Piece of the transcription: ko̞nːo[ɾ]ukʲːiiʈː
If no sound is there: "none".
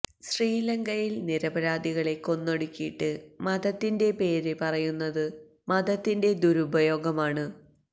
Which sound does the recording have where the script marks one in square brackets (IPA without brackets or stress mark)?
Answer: ɽ